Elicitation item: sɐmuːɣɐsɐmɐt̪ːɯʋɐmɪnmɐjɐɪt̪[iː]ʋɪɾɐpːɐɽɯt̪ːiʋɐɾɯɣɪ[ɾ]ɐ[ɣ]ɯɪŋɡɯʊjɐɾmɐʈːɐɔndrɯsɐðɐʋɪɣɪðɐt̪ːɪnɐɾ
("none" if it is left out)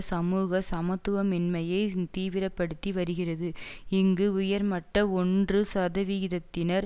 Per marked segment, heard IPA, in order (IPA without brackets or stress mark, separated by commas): iː, r, ð